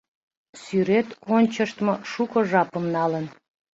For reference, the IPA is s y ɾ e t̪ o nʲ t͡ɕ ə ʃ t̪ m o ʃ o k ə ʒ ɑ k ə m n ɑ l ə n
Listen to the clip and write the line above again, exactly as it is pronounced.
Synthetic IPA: s y ɾ e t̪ o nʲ t͡ɕ ə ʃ t̪ m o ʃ u k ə ʒ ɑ p ə m n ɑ l ə n